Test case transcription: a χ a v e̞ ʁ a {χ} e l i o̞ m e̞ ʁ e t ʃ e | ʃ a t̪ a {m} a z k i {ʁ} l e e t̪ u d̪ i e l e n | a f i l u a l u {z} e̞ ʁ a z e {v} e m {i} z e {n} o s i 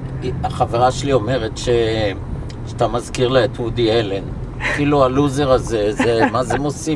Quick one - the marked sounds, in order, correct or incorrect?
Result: incorrect: ʃ, correct, correct, correct, incorrect: z, incorrect: a, incorrect: m

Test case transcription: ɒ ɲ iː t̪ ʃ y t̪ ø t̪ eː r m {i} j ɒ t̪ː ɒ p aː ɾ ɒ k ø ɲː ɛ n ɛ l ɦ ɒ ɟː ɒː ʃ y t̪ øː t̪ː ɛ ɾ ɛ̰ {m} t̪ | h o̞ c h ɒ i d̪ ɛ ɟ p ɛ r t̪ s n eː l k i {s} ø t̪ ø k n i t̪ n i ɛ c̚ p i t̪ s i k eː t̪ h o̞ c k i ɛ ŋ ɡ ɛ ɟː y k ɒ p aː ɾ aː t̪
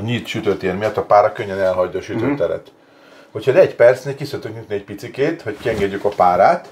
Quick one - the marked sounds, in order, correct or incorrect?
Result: correct, incorrect: none, correct

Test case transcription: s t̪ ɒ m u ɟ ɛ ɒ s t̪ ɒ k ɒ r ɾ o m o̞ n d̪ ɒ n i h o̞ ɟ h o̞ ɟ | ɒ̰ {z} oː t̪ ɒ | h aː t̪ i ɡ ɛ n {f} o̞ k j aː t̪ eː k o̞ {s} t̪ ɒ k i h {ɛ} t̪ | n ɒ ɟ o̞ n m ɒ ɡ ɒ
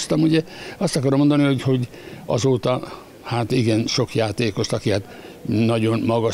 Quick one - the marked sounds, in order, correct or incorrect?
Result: correct, incorrect: ʃ, incorrect: ʃ, incorrect: a

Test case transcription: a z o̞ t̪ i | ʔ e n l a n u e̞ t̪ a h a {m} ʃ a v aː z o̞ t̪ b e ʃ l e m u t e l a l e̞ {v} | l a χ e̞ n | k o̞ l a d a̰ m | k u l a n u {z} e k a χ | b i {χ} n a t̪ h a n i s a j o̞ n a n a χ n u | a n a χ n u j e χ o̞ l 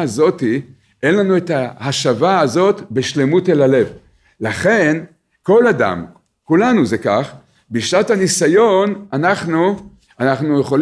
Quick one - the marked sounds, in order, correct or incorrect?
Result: incorrect: none, correct, correct, incorrect: ʃ

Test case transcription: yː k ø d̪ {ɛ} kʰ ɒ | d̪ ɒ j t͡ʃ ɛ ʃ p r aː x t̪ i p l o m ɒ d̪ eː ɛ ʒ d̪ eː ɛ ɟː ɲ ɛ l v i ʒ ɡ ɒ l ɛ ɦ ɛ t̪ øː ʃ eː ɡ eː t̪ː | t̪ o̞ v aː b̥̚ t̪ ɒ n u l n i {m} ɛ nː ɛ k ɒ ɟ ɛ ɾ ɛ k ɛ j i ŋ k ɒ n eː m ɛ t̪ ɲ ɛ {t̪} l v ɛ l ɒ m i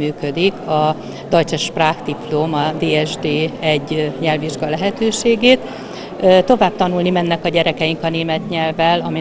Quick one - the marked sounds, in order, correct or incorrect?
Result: incorrect: i, correct, incorrect: none

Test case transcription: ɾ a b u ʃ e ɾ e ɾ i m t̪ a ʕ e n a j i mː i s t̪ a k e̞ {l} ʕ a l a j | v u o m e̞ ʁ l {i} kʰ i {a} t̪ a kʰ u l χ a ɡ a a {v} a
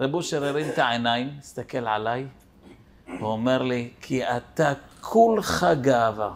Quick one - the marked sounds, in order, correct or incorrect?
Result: correct, correct, correct, correct

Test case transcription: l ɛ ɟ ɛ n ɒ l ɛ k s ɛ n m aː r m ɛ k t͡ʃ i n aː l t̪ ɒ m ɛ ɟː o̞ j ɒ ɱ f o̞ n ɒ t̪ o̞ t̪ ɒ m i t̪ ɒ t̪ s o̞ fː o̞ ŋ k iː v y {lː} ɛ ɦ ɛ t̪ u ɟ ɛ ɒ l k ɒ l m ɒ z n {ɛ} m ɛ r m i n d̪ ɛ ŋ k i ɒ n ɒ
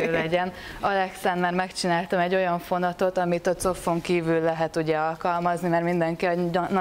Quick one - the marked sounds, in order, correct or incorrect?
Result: correct, incorrect: i

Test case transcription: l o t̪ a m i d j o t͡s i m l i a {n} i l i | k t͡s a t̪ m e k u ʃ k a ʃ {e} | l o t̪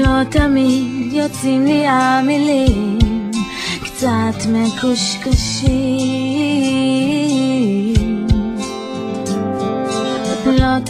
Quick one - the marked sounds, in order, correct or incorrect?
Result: incorrect: m, incorrect: i

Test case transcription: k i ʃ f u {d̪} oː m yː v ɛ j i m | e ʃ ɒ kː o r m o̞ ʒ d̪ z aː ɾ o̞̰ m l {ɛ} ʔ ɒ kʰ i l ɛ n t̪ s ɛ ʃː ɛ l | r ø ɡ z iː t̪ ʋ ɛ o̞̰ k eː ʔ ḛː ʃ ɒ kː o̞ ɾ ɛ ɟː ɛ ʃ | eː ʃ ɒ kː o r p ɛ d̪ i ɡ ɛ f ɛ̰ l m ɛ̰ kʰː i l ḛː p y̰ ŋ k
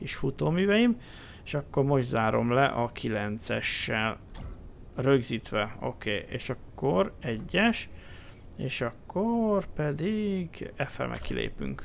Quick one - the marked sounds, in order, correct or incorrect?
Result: incorrect: t̪, correct

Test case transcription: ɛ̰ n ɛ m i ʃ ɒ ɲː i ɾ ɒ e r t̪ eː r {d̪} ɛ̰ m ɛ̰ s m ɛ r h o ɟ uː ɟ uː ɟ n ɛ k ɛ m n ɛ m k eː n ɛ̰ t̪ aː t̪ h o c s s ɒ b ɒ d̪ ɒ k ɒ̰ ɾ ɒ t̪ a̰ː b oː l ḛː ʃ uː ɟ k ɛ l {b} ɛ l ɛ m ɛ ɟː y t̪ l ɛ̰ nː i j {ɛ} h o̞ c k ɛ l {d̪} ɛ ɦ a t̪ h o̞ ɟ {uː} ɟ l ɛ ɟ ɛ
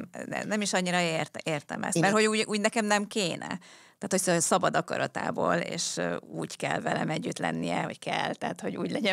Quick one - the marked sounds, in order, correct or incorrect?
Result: incorrect: t̪, incorrect: v, correct, incorrect: t̪, correct

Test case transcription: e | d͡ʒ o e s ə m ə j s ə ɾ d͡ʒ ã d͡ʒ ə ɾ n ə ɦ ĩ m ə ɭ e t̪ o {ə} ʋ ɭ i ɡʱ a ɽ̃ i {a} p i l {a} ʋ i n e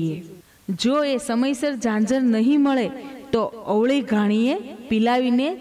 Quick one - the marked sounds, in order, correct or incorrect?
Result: correct, incorrect: e, correct

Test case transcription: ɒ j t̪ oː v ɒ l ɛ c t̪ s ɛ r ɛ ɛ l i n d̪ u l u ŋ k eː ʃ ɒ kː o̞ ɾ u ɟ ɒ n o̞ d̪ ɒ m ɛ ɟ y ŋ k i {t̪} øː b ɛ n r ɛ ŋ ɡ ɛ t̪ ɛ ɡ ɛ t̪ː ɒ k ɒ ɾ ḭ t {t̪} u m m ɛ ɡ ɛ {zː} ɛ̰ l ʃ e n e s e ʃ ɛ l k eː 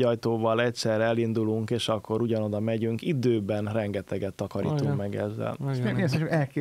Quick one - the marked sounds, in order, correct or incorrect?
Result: incorrect: d̪, correct, correct

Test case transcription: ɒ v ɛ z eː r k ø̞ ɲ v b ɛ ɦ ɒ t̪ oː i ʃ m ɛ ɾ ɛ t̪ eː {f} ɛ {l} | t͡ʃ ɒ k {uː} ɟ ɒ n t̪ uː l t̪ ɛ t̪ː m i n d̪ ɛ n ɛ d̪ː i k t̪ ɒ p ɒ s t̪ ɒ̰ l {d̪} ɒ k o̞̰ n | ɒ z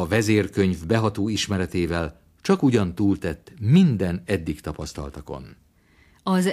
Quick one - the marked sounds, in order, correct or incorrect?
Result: incorrect: v, correct, incorrect: u, incorrect: t̪

